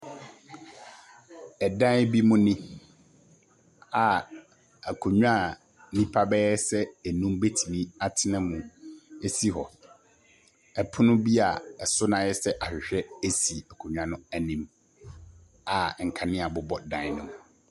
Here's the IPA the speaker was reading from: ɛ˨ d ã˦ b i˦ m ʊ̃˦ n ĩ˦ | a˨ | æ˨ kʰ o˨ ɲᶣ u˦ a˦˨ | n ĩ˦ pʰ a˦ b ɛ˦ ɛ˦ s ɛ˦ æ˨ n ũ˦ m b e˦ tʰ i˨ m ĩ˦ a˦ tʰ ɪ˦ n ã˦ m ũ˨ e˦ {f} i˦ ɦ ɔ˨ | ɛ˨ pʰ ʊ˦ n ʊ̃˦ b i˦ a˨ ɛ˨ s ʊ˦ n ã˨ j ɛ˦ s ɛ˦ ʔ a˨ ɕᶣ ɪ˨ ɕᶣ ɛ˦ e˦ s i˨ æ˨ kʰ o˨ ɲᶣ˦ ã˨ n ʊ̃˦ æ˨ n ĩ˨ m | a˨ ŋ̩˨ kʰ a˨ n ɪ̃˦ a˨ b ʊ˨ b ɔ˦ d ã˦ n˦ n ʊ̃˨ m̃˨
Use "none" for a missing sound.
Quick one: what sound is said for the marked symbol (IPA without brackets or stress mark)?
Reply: s